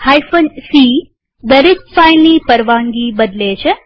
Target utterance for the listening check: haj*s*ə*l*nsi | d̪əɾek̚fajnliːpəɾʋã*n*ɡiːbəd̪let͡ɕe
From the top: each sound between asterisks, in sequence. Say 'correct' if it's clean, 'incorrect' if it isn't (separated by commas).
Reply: incorrect, incorrect, incorrect